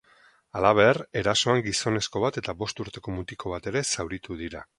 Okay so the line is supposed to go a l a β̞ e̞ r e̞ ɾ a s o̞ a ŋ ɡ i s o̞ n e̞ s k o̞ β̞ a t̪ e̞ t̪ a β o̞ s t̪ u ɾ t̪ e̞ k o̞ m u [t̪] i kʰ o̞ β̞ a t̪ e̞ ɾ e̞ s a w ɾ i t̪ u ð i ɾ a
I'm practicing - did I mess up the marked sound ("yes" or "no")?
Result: no